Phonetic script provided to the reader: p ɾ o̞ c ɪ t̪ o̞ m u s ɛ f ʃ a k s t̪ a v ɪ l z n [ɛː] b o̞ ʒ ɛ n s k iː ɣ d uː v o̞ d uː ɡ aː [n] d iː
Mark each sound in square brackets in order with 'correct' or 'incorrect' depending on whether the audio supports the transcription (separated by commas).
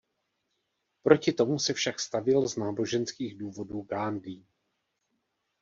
incorrect, correct